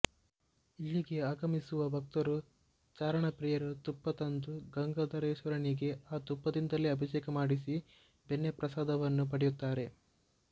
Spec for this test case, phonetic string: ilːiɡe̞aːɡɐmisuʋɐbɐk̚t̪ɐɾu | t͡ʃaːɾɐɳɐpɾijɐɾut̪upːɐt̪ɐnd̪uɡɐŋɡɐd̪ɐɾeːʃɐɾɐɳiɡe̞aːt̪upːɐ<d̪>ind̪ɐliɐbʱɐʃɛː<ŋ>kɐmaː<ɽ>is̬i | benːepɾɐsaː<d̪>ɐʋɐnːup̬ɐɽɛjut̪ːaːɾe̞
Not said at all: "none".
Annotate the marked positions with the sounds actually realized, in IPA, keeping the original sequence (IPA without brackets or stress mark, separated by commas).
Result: d̪, none, ɽ, d̪